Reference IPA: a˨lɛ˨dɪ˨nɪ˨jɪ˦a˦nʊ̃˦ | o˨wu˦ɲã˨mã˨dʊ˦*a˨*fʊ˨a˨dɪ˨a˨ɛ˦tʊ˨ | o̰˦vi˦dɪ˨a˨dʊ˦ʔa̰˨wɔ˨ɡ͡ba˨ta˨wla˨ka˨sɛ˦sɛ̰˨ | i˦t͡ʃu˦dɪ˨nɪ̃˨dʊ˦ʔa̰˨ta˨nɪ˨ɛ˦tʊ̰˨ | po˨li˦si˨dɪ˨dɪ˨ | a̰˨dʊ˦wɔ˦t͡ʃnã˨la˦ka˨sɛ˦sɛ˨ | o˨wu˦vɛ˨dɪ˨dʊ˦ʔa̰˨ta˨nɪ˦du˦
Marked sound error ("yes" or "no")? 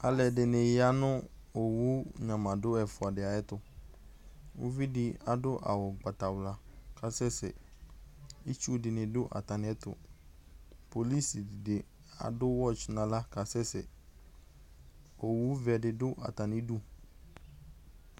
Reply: yes